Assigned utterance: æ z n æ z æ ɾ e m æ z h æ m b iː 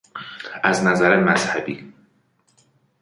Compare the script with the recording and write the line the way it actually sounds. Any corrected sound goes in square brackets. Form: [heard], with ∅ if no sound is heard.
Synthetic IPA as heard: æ z n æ z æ ɾ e m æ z h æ [∅] b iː